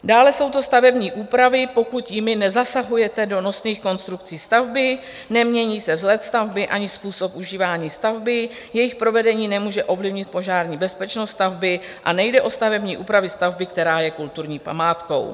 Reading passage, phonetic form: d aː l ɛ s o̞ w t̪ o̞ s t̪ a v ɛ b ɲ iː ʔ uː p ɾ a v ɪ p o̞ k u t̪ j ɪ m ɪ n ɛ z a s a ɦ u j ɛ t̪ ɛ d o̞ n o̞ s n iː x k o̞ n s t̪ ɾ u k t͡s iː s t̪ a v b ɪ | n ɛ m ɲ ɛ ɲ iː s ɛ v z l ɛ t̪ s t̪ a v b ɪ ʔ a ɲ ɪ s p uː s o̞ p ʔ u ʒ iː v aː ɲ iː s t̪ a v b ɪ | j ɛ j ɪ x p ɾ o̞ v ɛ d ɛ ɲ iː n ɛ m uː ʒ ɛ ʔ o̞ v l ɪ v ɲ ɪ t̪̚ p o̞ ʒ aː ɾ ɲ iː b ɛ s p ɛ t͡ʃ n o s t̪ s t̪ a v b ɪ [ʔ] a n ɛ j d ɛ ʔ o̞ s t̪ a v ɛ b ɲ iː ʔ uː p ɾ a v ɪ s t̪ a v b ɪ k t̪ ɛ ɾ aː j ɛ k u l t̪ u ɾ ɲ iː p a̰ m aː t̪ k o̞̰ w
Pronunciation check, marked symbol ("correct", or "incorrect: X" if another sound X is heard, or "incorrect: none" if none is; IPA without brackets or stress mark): correct